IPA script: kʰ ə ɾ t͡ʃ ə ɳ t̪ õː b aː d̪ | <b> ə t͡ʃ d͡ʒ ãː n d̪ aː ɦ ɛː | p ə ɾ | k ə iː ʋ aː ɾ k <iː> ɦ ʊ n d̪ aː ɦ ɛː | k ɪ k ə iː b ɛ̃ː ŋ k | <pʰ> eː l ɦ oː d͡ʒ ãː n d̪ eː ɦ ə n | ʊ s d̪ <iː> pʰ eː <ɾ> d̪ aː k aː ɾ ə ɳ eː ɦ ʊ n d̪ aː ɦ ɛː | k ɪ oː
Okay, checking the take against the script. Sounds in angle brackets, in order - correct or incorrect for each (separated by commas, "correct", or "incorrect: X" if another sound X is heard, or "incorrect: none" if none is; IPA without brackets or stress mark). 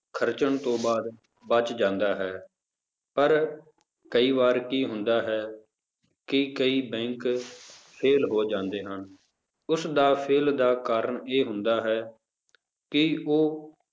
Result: correct, correct, correct, incorrect: aː, incorrect: l